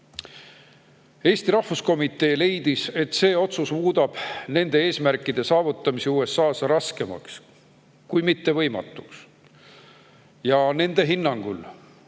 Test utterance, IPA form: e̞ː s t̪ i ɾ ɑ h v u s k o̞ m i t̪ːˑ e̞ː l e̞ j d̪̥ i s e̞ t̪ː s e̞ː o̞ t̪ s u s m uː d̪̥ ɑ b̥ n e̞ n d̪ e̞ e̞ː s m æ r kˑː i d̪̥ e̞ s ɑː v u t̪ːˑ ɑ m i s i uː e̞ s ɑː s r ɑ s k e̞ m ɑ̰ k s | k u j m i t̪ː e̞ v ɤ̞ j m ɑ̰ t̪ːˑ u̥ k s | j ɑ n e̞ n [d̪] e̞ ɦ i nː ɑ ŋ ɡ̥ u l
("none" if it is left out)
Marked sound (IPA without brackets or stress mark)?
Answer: d̪